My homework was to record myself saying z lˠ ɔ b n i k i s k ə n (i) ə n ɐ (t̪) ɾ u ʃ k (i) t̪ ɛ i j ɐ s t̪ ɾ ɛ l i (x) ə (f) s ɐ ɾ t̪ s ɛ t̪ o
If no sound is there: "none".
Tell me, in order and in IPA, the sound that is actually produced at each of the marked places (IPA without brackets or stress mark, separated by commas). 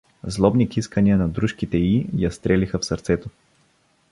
i, d̪, i, x, f